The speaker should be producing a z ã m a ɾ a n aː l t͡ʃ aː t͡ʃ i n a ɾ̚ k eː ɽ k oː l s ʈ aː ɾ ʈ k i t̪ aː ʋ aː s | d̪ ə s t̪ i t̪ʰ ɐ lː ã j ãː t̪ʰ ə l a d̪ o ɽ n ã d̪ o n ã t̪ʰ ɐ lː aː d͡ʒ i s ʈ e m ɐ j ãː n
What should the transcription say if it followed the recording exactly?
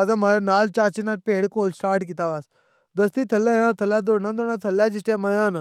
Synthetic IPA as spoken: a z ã m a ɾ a n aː l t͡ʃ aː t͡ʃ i n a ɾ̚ p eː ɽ k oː l s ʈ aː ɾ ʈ k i t̪ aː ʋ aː s | d̪ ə s t̪ i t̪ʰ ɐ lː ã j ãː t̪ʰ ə l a d̪ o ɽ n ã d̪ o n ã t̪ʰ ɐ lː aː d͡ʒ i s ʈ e m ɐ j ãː n